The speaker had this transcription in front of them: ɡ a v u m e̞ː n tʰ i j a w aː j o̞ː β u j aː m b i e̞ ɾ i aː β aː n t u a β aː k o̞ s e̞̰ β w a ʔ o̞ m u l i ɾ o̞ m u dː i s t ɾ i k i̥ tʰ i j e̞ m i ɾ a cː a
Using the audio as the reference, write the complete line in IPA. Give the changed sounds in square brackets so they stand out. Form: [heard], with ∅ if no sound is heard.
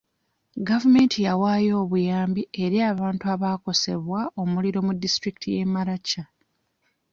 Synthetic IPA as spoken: ɡ a v u m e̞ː n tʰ i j a w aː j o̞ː β u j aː m b i e̞ ɾ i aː β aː n t u a β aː k o̞ s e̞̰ β w a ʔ o̞ m u l i ɾ o̞ m u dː i s t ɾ i k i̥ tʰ i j e̞ m [a] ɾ a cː a